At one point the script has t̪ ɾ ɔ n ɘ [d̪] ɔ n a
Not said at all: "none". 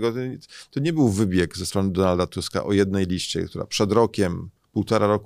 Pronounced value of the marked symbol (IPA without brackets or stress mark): d̪